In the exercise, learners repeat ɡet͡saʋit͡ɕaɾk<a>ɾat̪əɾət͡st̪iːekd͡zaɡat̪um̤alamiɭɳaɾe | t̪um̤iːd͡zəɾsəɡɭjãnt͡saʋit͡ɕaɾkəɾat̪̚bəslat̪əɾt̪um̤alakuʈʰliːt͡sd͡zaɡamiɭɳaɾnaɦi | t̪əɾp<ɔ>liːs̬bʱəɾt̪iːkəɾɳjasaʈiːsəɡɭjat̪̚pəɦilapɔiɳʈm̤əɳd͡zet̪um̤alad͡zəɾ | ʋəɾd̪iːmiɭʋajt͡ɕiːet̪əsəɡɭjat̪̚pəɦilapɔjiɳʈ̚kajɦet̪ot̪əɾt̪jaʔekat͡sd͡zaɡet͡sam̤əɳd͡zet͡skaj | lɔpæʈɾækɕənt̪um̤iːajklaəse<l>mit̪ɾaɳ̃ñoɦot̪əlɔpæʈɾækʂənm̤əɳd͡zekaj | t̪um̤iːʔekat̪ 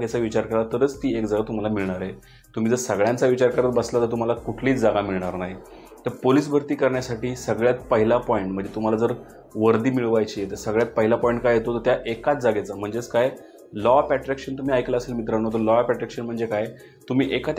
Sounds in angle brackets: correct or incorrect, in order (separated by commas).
incorrect, incorrect, correct